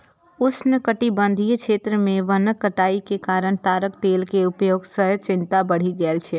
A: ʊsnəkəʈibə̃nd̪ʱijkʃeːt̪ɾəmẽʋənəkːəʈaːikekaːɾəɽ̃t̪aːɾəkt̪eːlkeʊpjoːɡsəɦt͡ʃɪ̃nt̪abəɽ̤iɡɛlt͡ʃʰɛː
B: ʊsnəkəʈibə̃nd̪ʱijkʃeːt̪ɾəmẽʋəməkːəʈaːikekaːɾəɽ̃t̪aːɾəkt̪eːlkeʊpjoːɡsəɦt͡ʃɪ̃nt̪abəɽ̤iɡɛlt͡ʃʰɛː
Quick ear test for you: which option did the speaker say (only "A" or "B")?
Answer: A